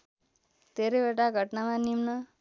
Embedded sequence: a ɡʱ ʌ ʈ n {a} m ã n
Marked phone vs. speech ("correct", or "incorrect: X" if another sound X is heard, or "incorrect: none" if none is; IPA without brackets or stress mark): correct